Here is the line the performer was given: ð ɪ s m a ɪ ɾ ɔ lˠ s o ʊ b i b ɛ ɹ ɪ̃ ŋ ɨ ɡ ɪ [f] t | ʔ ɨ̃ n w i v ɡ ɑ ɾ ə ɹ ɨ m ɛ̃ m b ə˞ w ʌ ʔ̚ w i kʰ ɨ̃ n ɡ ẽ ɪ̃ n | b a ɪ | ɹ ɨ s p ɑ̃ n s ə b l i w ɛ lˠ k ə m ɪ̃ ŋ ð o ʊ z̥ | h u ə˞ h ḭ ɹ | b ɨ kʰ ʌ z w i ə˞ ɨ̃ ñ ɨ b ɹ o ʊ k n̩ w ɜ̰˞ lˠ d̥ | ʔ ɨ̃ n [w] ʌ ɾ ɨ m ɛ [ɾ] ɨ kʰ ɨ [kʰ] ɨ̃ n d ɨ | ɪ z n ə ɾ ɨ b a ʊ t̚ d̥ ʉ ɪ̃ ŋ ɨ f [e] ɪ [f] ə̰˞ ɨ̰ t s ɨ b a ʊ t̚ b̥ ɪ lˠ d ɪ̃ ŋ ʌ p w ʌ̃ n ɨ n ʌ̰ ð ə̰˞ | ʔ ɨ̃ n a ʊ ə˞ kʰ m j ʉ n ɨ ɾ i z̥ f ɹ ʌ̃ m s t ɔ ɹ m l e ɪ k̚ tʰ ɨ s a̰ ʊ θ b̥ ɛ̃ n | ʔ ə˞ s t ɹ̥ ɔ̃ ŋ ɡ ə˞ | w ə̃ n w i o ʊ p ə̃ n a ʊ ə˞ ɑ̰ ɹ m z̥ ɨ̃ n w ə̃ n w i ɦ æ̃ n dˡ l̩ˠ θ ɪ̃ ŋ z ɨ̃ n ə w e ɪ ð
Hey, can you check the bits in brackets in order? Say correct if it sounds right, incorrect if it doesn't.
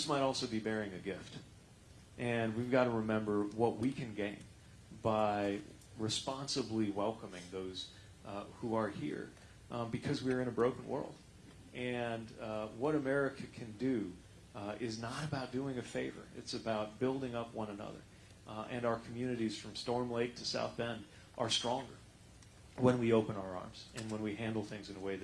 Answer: correct, correct, incorrect: ɹ, correct, correct, incorrect: v

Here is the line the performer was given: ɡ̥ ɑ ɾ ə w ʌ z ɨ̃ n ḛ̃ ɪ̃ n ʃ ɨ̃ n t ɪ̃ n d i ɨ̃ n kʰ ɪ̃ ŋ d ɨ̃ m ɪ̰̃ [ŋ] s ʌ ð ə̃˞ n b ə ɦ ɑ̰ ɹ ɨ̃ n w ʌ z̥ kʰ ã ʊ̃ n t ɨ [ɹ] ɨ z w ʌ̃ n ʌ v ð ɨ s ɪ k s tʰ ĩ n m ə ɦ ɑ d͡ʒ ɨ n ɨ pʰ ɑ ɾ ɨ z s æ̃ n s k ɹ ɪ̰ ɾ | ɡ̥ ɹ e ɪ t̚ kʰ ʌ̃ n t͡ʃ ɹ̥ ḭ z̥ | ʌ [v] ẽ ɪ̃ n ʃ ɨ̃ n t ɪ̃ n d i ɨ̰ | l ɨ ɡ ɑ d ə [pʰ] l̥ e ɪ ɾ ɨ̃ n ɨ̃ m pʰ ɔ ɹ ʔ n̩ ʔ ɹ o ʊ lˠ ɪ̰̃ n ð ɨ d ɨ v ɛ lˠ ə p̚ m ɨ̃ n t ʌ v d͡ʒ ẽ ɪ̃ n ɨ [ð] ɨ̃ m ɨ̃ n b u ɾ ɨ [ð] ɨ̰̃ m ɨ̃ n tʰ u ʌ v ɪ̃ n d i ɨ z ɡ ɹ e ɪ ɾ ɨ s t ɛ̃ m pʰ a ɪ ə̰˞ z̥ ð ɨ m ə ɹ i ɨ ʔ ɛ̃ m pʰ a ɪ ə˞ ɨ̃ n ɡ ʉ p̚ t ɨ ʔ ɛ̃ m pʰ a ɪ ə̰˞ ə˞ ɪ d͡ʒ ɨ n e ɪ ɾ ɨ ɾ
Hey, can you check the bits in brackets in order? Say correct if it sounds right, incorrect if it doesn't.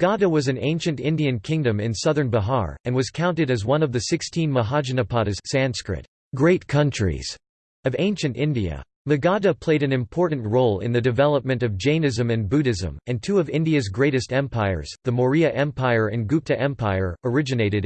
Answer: incorrect: n, incorrect: ɾ, correct, correct, incorrect: z, incorrect: z

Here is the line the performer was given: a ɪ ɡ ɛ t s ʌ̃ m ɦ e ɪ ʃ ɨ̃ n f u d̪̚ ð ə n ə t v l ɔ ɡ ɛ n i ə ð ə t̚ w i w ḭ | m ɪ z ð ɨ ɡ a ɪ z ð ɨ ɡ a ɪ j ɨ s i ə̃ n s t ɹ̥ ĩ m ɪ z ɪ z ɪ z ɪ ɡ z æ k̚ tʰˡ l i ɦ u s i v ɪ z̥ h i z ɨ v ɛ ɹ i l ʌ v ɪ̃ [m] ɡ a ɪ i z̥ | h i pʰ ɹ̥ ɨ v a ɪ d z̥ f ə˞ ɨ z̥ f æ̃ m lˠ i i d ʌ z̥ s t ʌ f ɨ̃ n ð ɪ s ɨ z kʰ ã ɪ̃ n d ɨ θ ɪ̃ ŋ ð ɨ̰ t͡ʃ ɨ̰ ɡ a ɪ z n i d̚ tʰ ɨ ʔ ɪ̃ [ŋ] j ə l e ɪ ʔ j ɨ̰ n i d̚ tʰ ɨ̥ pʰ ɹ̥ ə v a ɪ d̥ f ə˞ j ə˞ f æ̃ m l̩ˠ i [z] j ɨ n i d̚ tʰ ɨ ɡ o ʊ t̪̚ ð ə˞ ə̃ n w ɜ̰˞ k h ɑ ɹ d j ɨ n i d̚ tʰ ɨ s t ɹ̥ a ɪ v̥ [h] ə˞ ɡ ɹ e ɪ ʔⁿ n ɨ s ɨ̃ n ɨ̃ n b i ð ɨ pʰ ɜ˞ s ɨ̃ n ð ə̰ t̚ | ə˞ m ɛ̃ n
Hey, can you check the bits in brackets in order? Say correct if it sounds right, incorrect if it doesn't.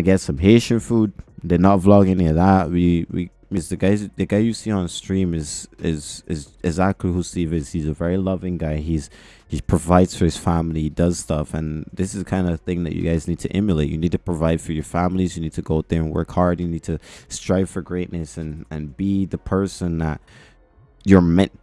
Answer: incorrect: ŋ, incorrect: m, correct, incorrect: f

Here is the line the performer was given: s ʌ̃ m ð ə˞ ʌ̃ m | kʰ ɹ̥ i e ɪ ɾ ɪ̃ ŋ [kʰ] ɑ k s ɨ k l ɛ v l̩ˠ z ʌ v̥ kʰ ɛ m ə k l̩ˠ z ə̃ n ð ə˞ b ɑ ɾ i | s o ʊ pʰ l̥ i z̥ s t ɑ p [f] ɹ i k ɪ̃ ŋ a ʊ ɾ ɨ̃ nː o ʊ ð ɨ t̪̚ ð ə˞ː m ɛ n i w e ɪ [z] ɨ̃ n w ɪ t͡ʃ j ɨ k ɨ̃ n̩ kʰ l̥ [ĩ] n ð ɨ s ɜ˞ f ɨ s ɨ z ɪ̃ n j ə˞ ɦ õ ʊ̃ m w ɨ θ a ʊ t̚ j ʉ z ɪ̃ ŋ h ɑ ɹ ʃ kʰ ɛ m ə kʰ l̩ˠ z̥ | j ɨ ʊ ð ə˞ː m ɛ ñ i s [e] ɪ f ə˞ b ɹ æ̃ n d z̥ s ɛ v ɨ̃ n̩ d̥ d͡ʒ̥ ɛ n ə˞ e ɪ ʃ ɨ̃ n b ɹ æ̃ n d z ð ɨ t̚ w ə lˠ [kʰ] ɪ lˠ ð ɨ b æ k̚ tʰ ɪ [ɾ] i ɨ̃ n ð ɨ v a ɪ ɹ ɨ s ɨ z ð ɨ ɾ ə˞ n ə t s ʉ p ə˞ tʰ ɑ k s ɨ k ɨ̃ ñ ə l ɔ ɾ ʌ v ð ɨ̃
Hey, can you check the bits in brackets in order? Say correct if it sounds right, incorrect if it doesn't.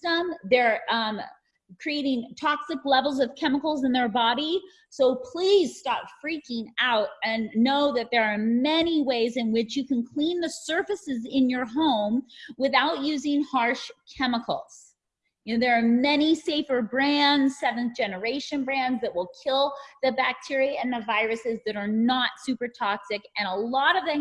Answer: incorrect: tʰ, correct, correct, correct, correct, correct, incorrect: ɹ

